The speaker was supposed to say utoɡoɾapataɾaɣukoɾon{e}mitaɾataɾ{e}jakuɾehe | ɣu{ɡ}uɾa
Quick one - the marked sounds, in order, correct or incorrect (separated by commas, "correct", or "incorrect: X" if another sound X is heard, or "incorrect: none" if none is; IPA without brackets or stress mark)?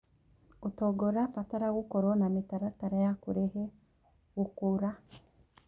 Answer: incorrect: a, incorrect: a, incorrect: k